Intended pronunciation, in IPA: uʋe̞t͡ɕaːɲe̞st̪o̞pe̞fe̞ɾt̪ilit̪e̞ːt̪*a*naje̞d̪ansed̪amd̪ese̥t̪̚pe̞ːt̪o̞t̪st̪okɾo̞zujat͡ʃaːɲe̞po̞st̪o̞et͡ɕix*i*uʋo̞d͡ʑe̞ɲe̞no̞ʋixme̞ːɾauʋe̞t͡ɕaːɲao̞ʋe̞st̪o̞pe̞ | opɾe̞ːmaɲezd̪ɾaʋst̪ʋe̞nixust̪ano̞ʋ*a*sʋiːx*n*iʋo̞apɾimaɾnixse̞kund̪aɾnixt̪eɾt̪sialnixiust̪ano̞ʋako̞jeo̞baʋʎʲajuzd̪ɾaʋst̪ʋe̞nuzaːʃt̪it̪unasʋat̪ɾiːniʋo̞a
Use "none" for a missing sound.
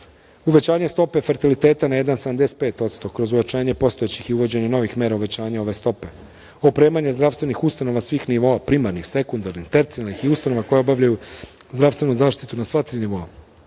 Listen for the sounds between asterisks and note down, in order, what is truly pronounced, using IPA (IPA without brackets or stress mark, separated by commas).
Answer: a, i, a, n